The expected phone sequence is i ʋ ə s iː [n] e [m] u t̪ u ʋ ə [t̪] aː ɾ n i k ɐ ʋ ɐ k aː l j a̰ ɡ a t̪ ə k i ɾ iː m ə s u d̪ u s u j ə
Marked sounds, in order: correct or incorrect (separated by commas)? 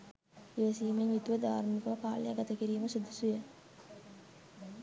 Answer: incorrect, incorrect, incorrect